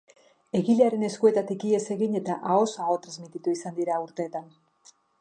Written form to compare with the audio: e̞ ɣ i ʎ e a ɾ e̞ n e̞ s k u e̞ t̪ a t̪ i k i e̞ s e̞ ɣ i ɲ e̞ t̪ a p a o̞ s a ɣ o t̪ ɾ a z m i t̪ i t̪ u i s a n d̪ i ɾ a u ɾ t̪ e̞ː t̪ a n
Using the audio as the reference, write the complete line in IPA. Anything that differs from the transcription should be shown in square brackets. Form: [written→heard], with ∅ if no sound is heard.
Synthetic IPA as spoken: e̞ ɣ i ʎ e a ɾ e̞ n e̞ s k u e̞ t̪ a t̪ i k i e̞ s e̞ ɣ i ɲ e̞ t̪ a [p→ʔ] a o̞ s a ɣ o t̪ ɾ a z m i t̪ i t̪ u i s a n d̪ i ɾ a u ɾ t̪ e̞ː t̪ a n